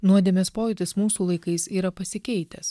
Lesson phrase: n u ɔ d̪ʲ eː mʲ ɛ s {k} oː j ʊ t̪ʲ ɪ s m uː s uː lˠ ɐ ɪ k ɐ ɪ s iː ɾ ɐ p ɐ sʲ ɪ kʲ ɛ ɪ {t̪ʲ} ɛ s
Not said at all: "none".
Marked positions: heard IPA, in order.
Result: p, t̪ʲ

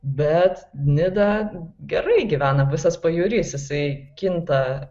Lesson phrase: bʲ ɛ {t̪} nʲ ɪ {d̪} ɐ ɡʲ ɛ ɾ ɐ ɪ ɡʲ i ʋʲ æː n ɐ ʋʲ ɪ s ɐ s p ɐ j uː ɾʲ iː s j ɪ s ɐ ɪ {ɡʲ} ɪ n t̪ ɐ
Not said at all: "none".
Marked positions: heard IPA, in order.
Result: t̪, d̪, kʲ

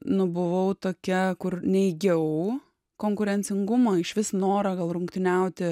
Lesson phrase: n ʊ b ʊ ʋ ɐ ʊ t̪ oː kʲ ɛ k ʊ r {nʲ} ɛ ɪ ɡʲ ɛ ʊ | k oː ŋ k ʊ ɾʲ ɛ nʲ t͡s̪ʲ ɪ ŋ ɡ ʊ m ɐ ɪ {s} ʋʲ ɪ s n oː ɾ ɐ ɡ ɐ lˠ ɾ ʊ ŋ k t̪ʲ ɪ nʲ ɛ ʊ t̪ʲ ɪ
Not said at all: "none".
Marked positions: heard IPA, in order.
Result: nʲ, ʃ

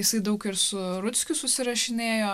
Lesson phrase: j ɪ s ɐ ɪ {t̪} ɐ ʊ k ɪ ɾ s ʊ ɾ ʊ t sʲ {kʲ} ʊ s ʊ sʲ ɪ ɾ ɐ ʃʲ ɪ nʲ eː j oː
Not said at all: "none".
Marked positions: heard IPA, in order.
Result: d̪, kʲ

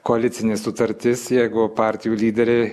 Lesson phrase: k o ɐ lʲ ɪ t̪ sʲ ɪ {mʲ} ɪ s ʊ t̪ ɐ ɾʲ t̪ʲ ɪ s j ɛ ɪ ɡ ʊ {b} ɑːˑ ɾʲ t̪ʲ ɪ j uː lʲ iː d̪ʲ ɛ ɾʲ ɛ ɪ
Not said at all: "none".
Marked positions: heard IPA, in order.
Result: nʲ, p

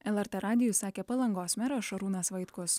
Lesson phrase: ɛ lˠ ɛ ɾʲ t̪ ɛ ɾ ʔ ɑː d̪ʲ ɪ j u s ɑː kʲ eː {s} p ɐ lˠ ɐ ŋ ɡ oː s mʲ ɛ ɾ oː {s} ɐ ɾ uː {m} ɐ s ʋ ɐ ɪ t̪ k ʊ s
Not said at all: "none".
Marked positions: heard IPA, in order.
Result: none, ʃ, n

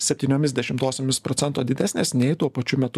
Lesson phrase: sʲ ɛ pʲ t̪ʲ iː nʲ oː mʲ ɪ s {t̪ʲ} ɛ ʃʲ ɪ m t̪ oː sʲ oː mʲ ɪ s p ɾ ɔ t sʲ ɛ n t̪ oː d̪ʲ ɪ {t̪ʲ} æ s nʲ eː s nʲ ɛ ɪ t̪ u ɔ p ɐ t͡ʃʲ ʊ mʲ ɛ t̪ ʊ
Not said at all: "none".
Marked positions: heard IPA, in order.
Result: d̪ʲ, d̪ʲ

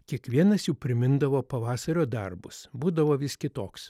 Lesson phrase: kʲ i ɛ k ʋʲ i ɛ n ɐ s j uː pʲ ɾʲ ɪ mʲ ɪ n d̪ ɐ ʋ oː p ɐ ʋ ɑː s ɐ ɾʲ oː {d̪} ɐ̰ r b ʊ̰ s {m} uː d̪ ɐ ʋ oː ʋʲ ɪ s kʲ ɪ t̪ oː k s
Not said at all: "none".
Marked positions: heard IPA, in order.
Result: d̪, b

